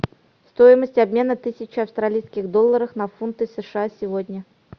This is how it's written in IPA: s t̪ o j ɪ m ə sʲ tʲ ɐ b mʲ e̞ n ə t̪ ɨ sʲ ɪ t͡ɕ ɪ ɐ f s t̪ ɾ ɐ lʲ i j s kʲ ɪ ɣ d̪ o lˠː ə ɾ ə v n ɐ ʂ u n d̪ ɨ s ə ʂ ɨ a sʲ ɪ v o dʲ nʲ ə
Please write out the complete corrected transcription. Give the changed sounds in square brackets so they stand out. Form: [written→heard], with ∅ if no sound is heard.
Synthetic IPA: s t̪ o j ɪ m ə sʲ tʲ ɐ b mʲ e̞ n ə t̪ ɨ sʲ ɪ t͡ɕ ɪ ɐ f s t̪ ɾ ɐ lʲ i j s kʲ ɪ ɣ d̪ o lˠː ə ɾ ə [v→f] n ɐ [ʂ→f] u n [d̪→t̪] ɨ s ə ʂ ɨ a sʲ ɪ v o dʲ nʲ ə